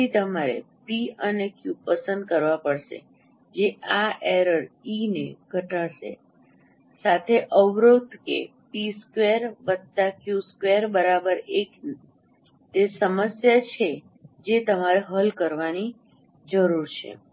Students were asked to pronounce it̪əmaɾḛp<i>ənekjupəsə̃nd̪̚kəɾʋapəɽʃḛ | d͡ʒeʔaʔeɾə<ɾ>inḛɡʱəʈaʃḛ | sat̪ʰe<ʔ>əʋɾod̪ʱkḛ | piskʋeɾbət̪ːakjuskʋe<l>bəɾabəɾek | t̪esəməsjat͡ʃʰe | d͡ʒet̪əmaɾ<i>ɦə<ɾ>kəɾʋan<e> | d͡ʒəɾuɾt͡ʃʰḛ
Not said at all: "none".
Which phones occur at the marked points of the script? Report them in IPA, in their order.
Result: i, ɾ, ʔ, ɾ, e, l, i

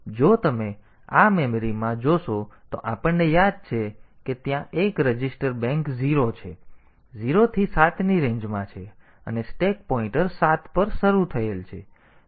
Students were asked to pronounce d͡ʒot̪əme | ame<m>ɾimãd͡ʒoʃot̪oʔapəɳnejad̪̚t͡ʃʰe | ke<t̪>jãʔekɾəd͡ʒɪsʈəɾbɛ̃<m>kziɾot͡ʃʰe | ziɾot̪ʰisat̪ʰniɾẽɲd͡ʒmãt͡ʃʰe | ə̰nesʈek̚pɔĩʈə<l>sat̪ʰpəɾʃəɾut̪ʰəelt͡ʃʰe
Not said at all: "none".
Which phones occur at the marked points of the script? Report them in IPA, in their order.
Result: m, t̪, ŋ, ɾ

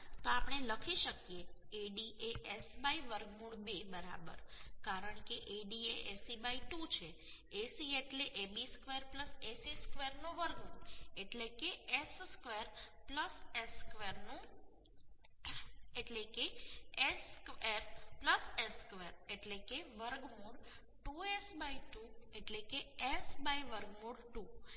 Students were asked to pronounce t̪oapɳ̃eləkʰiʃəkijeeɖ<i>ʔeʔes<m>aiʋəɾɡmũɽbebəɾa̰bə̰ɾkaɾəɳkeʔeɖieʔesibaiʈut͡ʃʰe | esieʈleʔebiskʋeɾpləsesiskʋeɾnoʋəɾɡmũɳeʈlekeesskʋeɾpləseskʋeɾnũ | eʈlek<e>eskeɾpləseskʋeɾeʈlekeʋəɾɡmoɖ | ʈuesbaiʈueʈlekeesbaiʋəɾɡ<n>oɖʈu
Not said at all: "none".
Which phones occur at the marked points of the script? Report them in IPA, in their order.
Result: i, b, e, m

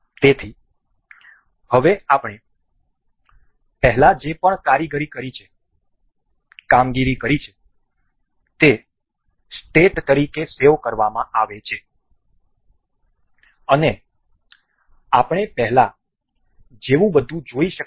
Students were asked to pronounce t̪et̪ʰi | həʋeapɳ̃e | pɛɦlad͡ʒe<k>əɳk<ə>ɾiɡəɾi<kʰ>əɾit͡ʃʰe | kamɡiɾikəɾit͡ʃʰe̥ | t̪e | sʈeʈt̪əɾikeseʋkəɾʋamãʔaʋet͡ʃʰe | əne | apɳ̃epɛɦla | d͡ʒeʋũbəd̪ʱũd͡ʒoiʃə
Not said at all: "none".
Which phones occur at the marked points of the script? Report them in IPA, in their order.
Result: p, a, k

